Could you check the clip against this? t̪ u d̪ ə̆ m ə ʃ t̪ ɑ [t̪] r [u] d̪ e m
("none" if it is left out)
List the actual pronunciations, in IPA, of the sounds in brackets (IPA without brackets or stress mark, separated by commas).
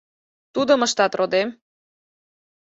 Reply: t̪, o